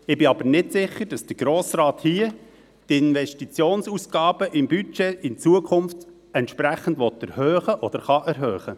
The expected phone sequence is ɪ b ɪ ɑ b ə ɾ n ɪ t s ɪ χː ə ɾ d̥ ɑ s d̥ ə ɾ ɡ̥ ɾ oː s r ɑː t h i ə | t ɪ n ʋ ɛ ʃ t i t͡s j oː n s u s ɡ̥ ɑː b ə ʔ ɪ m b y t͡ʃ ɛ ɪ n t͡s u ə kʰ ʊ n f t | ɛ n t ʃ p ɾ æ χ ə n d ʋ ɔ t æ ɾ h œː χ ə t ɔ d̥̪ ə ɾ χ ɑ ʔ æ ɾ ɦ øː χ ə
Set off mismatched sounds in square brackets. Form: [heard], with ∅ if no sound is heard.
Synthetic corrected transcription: ɪ b ɪ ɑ b ə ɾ n ɪ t s ɪ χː ə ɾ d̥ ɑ s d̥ ə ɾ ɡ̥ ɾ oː s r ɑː t h i ə | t ɪ n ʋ ɛ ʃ t i t͡s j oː n s u s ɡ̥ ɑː b ə ʔ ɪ m b y t͡ʃ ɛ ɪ n t͡s u ə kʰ ʊ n f t | ɛ n t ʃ p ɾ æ χ ə n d ʋ ɔ t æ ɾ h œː χ ə [ʔ] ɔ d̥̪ ə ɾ χ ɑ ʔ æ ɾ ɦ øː χ ə